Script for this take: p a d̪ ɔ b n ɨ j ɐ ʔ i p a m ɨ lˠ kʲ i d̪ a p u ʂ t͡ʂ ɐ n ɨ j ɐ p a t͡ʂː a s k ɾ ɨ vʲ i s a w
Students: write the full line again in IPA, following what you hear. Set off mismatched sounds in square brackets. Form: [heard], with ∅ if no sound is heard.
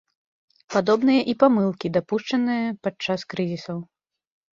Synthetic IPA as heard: p a d̪ ɔ b n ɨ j ɐ ʔ i p a m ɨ lˠ kʲ i d̪ a p u ʂ t͡ʂ ɐ n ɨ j ɐ p a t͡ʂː a s k ɾ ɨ [zʲ] i s [ɐ] w